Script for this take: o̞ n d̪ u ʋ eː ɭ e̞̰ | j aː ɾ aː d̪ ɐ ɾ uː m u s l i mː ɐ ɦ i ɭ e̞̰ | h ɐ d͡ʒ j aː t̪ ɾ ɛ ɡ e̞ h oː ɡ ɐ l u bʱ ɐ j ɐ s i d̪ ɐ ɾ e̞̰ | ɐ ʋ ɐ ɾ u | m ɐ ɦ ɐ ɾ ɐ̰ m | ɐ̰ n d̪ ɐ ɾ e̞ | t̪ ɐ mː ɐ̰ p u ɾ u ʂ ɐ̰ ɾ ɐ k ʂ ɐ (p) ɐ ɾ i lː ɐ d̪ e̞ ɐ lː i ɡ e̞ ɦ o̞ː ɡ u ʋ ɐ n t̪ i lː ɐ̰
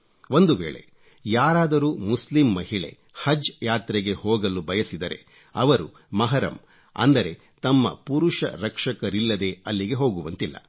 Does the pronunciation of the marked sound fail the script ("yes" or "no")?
yes